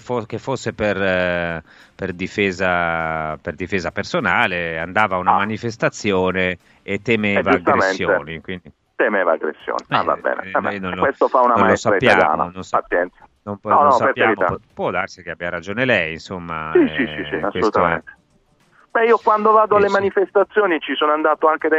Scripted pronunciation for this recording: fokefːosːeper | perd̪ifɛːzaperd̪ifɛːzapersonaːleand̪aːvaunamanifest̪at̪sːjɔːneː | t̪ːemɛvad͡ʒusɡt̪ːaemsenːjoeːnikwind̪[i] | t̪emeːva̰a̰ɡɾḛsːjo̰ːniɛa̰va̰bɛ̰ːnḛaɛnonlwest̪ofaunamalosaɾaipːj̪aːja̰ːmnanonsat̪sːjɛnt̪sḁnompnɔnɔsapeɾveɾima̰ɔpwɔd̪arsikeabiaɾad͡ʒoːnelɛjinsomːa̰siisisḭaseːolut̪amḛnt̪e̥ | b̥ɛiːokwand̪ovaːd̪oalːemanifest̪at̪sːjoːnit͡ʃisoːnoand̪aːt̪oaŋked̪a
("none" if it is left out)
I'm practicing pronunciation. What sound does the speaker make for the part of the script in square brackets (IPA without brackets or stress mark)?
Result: i